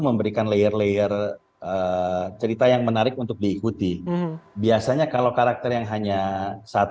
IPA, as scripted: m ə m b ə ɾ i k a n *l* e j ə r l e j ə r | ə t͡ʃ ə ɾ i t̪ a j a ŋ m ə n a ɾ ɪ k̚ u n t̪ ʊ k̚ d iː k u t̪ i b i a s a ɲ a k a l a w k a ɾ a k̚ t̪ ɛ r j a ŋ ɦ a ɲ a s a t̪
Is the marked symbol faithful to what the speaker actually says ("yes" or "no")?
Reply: yes